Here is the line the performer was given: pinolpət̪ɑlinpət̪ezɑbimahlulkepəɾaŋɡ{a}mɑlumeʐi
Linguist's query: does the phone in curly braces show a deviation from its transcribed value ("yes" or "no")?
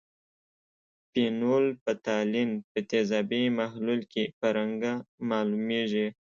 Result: no